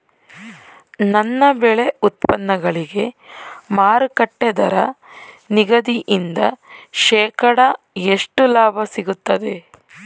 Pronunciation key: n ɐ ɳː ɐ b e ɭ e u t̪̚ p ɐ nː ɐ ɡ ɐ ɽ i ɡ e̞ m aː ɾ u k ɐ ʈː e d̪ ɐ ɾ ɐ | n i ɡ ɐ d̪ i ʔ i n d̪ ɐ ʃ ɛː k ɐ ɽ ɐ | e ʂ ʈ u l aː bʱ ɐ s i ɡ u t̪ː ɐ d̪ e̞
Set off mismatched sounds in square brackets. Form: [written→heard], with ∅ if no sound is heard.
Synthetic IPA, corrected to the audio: n ɐ [ɳː→nː] ɐ b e ɭ e u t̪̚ p ɐ nː ɐ ɡ ɐ [ɽ→ɭ] i ɡ e̞ m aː ɾ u k ɐ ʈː e d̪ ɐ ɾ ɐ | n i ɡ ɐ d̪ i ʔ i n d̪ ɐ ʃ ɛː k ɐ ɽ ɐ | e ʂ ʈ u l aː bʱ ɐ s i ɡ u t̪ː ɐ d̪ e̞